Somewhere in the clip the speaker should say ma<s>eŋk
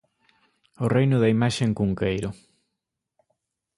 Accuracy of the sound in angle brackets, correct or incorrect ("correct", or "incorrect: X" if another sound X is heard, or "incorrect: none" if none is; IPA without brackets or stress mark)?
incorrect: ʃ